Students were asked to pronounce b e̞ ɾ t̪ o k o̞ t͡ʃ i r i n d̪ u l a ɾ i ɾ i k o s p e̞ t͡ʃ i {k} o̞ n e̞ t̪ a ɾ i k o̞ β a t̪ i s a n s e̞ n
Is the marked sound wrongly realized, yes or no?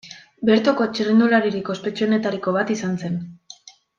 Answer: yes